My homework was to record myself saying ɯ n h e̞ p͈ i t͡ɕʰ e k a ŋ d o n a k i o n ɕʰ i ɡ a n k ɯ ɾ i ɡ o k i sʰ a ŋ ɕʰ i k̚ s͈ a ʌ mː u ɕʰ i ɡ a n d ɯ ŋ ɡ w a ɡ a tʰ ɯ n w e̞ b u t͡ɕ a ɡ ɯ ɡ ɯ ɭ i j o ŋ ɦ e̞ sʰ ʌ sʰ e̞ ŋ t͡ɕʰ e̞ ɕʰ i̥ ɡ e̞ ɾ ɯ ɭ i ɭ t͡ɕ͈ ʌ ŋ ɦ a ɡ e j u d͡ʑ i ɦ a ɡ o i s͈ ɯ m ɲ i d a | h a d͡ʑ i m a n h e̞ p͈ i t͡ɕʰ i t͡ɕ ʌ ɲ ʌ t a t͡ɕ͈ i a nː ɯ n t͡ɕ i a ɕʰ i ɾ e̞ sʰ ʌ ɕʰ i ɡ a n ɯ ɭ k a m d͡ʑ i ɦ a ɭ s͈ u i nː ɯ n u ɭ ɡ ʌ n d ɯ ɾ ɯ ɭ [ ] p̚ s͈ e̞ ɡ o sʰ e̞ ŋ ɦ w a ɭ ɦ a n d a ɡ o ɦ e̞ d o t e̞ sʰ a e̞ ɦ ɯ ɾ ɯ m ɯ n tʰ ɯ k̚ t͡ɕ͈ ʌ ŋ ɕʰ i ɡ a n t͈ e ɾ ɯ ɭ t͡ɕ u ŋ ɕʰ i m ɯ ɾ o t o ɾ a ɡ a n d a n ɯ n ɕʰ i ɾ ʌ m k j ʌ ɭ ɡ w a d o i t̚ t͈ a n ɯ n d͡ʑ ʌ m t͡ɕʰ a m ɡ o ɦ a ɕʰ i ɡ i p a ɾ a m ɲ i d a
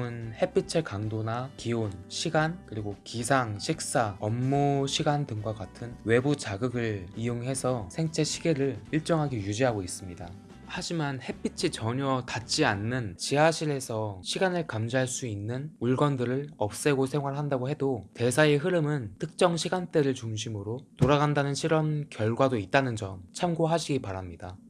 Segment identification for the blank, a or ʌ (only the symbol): ʌ